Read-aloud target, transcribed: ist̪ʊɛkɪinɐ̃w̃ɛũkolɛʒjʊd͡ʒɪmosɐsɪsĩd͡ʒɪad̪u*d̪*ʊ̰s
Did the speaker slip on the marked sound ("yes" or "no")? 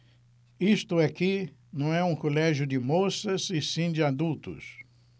yes